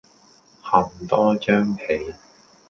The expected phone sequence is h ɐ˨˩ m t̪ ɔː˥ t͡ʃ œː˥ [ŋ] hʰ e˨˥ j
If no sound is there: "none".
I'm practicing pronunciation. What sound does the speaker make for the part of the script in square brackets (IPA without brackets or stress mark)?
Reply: ŋ